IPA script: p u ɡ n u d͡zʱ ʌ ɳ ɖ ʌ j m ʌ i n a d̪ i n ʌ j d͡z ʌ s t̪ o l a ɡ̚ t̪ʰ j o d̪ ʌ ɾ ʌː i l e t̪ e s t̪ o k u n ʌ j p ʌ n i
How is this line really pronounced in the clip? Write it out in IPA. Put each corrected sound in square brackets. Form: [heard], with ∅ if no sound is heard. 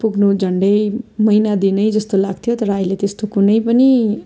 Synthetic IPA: p u ɡ n u d͡zʱ ʌ ɳ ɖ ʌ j m ʌ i n a d̪ i n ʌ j d͡z ʌ s t̪ o l a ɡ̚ t̪ʰ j o [t̪] ʌ ɾ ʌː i l e t̪ e s t̪ o k u n ʌ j p ʌ n i